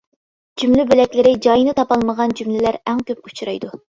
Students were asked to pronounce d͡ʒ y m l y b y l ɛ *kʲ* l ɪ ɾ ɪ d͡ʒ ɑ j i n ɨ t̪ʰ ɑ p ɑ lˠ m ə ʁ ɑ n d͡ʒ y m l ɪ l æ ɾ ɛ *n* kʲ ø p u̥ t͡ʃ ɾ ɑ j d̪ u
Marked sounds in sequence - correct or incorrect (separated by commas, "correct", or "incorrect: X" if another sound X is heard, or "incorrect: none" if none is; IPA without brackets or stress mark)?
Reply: correct, incorrect: ŋ